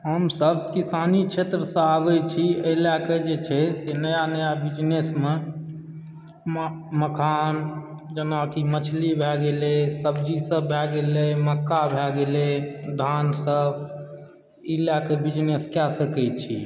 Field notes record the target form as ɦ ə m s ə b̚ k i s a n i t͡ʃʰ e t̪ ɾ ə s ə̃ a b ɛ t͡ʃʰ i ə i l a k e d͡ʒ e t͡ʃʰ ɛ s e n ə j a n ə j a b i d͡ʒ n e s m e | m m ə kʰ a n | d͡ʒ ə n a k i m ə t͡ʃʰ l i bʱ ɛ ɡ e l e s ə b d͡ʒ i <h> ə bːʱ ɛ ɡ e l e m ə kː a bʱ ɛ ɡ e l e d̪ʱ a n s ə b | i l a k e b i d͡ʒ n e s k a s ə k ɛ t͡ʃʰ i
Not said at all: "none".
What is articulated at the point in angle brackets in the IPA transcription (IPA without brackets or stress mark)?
s